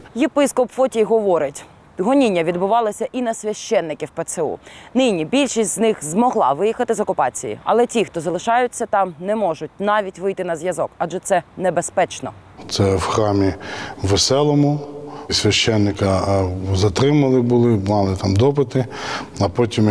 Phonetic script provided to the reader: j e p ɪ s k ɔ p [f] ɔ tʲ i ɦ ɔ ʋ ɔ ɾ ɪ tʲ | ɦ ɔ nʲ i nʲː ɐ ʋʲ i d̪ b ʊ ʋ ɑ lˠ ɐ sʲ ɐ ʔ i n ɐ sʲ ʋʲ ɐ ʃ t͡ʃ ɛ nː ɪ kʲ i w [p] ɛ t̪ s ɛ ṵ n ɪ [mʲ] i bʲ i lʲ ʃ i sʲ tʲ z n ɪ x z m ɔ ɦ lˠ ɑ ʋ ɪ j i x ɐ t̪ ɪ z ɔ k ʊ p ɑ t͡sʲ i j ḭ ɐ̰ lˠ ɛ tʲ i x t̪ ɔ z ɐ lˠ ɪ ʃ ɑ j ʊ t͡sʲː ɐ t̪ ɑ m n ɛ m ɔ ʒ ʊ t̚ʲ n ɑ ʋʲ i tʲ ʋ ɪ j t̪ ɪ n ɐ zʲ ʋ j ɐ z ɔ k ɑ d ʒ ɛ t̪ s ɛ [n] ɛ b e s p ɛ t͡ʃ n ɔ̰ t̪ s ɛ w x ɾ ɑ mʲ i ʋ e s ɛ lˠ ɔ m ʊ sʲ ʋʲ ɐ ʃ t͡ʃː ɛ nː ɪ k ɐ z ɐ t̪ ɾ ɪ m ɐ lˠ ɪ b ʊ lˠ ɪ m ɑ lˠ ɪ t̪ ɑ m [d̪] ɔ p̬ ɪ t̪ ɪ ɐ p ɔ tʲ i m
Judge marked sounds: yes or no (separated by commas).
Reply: yes, yes, no, yes, yes